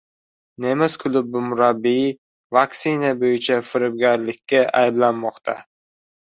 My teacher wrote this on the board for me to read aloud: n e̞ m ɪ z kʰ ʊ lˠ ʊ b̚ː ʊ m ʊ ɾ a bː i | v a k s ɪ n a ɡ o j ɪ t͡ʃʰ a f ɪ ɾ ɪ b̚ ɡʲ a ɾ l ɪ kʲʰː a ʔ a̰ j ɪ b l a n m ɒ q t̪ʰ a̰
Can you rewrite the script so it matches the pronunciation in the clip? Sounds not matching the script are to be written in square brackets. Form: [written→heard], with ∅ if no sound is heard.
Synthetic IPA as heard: n e̞ m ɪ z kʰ ʊ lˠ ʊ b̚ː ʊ m ʊ ɾ a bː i | v a k s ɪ n a [ɡ→b] o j ɪ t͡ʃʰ a f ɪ ɾ ɪ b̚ ɡʲ a ɾ l ɪ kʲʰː a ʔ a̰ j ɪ b l a n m ɒ q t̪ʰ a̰